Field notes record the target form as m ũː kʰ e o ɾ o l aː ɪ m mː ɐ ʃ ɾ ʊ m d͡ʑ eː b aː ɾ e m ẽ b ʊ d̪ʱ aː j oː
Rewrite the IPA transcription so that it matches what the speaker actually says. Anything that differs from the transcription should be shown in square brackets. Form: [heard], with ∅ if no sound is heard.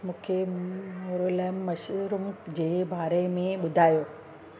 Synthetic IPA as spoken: m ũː kʰ e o ɾ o l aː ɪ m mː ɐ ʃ ɾ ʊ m d͡ʑ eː b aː ɾ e m ẽ [ɓ] ʊ d̪ʱ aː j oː